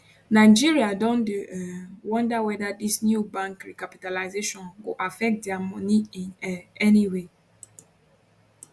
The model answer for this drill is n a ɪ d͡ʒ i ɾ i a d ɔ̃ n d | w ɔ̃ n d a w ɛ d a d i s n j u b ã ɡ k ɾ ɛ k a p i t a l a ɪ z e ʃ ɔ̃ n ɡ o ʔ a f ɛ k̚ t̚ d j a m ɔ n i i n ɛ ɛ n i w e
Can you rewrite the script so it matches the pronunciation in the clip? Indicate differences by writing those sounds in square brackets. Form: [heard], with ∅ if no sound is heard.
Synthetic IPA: n a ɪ d͡ʒ i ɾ i a d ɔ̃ n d | w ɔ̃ n d a w ɛ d a d i s n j u b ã [ŋ] k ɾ [i] k a p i t a l a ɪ z e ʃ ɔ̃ n ɡ o ʔ a f ɛ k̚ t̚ d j a m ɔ n i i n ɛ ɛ n i w e

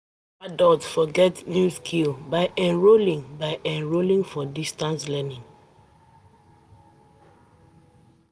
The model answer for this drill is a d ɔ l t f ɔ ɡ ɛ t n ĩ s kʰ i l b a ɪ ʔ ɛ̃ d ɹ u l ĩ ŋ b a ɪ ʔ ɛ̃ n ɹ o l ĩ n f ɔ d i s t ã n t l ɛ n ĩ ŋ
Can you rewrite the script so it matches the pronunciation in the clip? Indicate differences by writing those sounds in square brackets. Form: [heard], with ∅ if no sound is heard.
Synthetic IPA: a d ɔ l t f ɔ ɡ ɛ t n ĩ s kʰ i l b a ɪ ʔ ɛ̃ [n] ɹ [o] l ĩ ŋ b a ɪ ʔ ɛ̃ n ɹ o l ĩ [ŋ] f ɔ d i s t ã n [s] l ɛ n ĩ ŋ

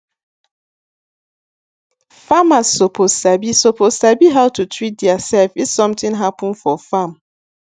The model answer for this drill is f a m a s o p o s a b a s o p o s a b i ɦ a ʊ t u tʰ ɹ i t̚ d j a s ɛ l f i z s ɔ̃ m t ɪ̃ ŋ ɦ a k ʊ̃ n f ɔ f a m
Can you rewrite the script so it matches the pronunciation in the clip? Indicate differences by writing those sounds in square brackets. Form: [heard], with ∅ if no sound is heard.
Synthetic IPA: f a m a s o p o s a b [i] s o p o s a b i ɦ a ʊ t u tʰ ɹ i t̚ d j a s ɛ l f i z s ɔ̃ m t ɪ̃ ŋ ɦ a [p] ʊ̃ n f ɔ f a m

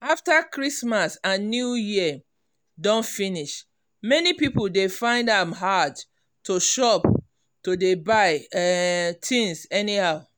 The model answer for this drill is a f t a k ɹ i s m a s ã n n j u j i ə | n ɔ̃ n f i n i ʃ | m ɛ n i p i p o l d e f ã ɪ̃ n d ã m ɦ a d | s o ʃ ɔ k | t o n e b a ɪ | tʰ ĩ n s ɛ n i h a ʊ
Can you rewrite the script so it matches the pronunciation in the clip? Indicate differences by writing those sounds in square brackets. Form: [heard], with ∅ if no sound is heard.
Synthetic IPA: a f t a k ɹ i s m a s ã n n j u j i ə | [d] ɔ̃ n f i n i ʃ | m ɛ n i p i p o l d e f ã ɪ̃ n d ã m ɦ a d | [t] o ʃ ɔ [p] | t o [d] e b a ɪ | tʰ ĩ n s ɛ n i h a ʊ

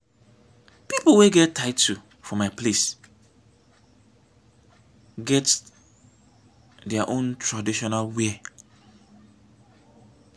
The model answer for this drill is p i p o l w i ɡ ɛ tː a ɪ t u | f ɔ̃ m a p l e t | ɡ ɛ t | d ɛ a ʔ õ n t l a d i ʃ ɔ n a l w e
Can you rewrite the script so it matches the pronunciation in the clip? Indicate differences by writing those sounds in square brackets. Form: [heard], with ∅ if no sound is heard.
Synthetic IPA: p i p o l w [e] ɡ ɛ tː a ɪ t u | f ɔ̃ m a p l e [s] | ɡ ɛ t | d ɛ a ʔ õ n t [ɹ] a d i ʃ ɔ n a l w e

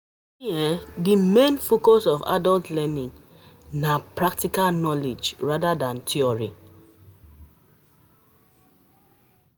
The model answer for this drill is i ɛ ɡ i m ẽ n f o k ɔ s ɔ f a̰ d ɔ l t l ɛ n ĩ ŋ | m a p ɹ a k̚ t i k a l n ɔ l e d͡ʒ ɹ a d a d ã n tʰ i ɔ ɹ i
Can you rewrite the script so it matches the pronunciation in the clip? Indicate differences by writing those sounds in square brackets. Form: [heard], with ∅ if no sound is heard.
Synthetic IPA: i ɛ [d] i m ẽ n f o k ɔ s ɔ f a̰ d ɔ l t l ɛ n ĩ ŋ | [n] a p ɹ a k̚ t i k a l n ɔ l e d͡ʒ ɹ a d a d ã n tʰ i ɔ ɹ i

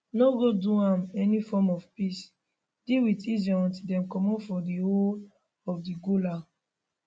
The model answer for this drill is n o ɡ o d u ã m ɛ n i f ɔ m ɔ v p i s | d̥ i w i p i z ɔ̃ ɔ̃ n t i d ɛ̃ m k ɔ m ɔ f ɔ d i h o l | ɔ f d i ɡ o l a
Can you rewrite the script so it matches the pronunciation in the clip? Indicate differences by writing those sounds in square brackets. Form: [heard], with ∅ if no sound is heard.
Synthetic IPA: n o ɡ o d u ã m ɛ n i f ɔ m ɔ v p i s | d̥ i w i [t] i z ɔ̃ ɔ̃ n t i d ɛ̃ m k ɔ m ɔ f ɔ d i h o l | ɔ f d i ɡ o l a

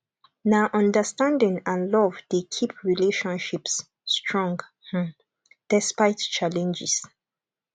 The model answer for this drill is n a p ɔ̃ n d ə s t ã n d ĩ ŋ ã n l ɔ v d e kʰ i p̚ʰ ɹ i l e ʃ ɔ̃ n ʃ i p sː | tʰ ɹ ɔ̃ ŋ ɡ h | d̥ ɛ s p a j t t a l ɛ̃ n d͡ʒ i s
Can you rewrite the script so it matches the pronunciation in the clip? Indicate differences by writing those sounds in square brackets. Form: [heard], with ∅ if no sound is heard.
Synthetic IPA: n a [ʔ] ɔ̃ n d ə s t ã n d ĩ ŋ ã n l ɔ v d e kʰ i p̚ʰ ɹ i l e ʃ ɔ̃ n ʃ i p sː | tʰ ɹ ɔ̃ ŋ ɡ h | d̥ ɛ s p a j t [t͡ʃ] a l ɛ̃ n d͡ʒ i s

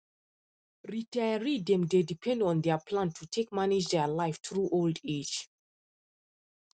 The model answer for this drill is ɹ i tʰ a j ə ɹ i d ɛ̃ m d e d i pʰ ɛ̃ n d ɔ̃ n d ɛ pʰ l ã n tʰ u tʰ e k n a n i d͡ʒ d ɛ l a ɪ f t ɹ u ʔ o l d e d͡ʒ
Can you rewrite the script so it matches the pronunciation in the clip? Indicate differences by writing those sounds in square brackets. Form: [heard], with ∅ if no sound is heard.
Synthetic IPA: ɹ i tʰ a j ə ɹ i d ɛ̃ m d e d i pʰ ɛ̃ n d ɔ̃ n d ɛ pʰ l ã n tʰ u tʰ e k [m] a n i d͡ʒ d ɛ l a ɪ f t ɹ u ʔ o l d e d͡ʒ

